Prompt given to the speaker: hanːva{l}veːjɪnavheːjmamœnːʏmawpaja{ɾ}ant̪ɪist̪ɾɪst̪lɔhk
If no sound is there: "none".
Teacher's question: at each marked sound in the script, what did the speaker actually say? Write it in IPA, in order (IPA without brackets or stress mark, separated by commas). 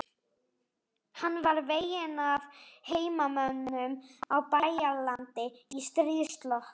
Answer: ɾ, l